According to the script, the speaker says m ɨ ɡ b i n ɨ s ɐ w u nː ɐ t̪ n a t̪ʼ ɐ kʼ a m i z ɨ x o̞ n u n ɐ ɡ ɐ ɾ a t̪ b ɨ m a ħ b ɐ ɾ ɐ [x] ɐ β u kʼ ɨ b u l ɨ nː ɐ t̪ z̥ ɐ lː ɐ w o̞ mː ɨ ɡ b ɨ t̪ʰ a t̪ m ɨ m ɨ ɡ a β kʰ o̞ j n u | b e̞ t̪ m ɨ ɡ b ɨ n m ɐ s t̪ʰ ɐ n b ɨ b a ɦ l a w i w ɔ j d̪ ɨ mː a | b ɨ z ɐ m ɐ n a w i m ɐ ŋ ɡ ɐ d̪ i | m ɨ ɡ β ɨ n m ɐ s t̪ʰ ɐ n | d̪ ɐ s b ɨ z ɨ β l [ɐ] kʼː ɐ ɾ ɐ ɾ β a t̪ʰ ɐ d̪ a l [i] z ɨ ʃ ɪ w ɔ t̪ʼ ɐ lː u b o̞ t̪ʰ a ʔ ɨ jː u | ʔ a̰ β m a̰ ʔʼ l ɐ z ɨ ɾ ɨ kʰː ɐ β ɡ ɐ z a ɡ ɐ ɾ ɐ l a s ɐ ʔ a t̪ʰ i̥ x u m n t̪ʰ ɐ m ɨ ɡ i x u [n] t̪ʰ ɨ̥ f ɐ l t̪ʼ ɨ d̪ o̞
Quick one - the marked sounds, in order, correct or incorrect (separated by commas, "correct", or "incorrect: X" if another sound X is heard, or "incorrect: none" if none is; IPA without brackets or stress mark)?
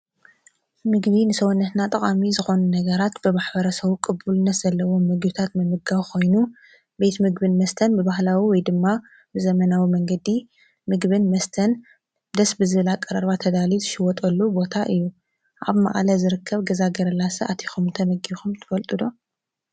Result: incorrect: s, incorrect: a, correct, incorrect: m